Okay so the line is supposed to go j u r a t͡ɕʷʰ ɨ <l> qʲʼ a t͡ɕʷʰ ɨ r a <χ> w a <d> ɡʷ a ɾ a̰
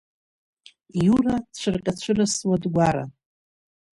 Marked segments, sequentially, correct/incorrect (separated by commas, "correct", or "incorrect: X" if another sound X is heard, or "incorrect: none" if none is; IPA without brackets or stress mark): incorrect: r, incorrect: s, correct